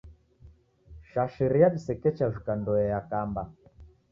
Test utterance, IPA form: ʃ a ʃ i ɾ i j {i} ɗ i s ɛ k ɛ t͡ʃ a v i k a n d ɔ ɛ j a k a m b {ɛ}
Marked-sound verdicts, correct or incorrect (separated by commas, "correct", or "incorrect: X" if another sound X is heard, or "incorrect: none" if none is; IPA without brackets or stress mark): incorrect: a, incorrect: a